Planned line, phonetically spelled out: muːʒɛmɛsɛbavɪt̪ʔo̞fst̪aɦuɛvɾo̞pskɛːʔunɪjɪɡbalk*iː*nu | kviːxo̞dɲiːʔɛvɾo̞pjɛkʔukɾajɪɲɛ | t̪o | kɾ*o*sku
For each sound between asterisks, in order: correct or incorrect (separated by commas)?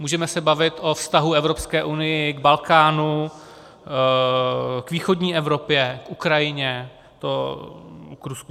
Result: incorrect, incorrect